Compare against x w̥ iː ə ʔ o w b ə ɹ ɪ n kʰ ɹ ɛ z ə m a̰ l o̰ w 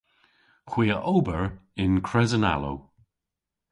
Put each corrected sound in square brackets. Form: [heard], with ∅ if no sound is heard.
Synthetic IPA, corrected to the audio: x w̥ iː ə ʔ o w b ə ɹ ɪ n kʰ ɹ ɛ z ə [n] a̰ l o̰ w

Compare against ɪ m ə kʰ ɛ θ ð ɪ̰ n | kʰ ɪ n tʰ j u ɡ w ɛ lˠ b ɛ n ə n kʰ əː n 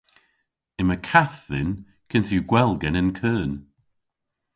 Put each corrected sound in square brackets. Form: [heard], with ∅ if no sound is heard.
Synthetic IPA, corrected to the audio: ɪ m ə kʰ [a] θ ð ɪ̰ n | kʰ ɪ n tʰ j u ɡ w ɛ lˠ [ɡ] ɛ n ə n kʰ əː n

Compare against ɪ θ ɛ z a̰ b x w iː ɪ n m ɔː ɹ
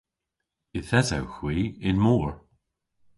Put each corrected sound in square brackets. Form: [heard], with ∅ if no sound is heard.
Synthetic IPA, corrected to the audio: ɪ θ ɛ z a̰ [w] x w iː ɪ n m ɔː ɹ

